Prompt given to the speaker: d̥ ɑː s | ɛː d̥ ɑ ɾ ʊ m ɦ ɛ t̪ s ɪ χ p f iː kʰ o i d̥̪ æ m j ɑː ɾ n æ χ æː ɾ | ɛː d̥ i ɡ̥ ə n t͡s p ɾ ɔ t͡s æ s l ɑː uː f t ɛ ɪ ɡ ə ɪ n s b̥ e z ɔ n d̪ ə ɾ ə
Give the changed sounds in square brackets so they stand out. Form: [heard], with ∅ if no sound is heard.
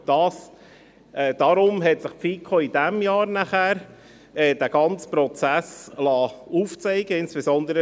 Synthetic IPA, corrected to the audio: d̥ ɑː s | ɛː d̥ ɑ ɾ ʊ m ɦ ɛ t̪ s ɪ χ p f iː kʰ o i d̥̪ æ m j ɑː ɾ n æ χ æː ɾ | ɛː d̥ [æ] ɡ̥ [ɑ] n t͡s p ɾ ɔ t͡s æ s l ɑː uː f [t͡s] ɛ ɪ ɡ ə ɪ n s b̥ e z ɔ n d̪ ə ɾ ə